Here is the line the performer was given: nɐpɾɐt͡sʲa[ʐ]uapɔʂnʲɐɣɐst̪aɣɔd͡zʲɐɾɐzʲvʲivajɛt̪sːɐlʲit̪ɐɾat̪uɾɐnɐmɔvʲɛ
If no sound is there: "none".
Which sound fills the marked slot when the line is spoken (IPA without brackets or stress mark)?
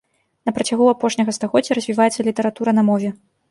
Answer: ɣ